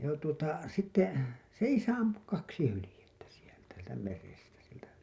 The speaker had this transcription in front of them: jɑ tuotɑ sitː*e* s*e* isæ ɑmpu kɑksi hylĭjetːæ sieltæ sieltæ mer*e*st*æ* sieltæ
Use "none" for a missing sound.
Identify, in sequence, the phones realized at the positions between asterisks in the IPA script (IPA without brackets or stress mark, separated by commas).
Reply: e, e, e, æ